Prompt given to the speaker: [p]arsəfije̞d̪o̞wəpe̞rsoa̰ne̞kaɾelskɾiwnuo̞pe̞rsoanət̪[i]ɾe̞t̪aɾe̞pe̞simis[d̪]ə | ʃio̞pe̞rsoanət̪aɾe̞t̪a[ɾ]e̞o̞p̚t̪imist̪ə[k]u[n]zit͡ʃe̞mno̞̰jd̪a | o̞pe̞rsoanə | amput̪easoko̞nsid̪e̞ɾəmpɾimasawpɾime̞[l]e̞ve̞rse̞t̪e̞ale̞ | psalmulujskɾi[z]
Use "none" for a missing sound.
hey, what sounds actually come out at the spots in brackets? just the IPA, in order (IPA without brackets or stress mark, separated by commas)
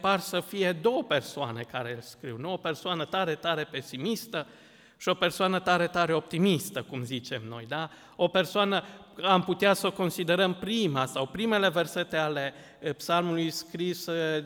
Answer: p, a, t̪, ɾ, k, m, l, s